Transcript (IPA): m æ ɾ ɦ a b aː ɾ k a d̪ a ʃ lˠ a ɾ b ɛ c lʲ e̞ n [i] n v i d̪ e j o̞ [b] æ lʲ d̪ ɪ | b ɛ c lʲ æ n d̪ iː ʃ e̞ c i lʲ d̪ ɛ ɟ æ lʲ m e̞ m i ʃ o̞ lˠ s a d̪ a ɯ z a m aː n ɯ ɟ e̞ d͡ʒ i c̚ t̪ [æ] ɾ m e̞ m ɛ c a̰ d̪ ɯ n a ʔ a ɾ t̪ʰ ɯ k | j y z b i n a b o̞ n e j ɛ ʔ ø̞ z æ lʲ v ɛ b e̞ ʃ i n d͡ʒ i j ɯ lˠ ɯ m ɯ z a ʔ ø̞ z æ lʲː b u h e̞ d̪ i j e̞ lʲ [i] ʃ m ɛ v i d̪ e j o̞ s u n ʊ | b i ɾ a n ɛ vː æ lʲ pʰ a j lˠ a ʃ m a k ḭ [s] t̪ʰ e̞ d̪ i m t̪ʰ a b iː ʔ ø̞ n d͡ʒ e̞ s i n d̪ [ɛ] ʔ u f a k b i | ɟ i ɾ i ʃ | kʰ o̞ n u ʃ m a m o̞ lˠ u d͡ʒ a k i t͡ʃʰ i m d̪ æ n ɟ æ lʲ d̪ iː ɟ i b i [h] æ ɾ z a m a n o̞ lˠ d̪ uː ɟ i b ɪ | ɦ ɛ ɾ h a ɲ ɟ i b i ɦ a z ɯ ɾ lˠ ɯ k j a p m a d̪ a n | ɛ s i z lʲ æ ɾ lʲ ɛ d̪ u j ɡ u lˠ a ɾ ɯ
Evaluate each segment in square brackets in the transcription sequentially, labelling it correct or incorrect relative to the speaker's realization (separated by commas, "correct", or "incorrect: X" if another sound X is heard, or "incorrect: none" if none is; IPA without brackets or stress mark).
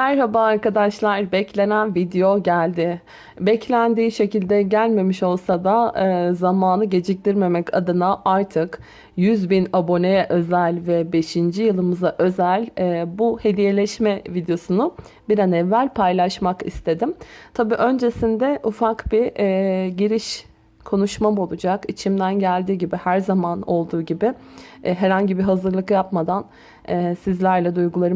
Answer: incorrect: æ, incorrect: ɟ, incorrect: i, incorrect: ɛ, correct, correct, correct